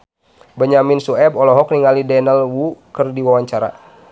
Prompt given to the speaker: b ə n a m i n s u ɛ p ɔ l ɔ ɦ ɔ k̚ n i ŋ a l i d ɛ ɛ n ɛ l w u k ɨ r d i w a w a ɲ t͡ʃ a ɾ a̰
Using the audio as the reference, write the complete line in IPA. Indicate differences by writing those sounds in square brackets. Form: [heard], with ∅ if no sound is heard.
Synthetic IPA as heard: b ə [ɲ] a m i n s u ɛ [b] ɔ l ɔ ɦ ɔ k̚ n i ŋ a l i d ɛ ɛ n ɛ l w u k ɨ r d i w a w a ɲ t͡ʃ a ɾ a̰